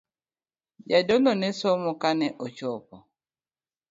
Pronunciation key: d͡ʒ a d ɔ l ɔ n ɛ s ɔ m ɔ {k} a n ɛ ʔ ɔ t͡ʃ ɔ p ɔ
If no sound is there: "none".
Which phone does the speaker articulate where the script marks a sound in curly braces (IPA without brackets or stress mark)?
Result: k